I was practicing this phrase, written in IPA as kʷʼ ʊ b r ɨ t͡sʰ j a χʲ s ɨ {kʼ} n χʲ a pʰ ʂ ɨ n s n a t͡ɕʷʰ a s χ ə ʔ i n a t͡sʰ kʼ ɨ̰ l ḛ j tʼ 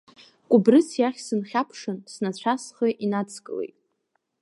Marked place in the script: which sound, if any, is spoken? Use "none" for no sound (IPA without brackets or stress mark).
none